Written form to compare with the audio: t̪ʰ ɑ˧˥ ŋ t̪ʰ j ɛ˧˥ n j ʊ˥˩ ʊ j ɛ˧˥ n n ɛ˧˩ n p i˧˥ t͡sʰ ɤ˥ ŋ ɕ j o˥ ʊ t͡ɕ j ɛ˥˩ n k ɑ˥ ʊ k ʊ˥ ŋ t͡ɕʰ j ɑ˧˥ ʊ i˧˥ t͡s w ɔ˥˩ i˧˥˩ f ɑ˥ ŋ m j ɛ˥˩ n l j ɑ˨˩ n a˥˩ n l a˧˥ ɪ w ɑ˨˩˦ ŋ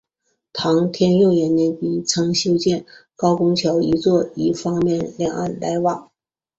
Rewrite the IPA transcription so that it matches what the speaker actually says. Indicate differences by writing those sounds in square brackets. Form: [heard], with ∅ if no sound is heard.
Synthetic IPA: t̪ʰ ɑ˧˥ ŋ t̪ʰ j [ɛ˥] n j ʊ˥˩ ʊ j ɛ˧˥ n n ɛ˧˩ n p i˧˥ t͡sʰ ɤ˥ ŋ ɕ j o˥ ʊ t͡ɕ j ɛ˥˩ n k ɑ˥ ʊ k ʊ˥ ŋ t͡ɕʰ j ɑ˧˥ ʊ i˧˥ t͡s w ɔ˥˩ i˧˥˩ f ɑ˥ ŋ m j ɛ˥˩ n l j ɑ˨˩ [ŋ] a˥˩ n l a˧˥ ɪ w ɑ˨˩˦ ŋ